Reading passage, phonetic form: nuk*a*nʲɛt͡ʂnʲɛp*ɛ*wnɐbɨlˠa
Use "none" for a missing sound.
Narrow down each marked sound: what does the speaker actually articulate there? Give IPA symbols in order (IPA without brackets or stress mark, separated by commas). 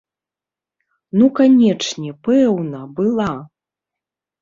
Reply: a, ɛ